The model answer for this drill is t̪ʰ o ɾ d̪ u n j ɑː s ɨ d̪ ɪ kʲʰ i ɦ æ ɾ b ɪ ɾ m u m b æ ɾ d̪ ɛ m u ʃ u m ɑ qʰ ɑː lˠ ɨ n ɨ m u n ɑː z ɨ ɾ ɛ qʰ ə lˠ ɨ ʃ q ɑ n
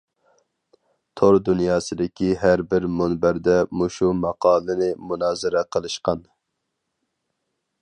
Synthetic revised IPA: t̪ʰ o ɾ d̪ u n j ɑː s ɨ d̪ ɪ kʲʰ i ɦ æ ɾ b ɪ ɾ m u n b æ ɾ d̪ ɛ m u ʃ u m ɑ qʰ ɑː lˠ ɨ n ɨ m u n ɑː z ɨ ɾ ɛ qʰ ə lˠ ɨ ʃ q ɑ n